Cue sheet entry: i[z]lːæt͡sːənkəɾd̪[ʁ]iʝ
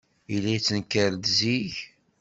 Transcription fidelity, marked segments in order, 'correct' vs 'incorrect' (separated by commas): incorrect, incorrect